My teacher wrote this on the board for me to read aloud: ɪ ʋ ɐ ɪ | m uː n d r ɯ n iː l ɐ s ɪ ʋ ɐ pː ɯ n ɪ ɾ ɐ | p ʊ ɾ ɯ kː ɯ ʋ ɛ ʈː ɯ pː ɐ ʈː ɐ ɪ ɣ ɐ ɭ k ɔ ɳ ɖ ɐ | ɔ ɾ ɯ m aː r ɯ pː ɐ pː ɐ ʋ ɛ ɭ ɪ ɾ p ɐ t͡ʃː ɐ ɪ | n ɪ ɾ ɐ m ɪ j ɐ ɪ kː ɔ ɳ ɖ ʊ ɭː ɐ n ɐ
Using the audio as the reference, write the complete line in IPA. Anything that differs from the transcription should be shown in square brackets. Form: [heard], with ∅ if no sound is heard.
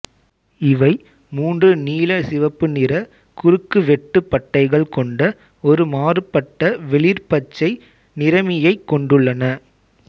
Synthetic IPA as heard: ɪ ʋ ɐ ɪ | m uː n d r ɯ n iː l ɐ s ɪ ʋ ɐ pː ɯ n ɪ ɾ ɐ | [k] ʊ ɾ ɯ kː ɯ ʋ ɛ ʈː ɯ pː ɐ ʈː ɐ ɪ ɣ ɐ ɭ k ɔ ɳ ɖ ɐ | ɔ ɾ ɯ m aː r ɯ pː ɐ [ʈː] ɐ ʋ ɛ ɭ ɪ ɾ p ɐ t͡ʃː ɐ ɪ | n ɪ ɾ ɐ m ɪ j ɐ ɪ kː ɔ ɳ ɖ [ɯ] ɭː ɐ n ɐ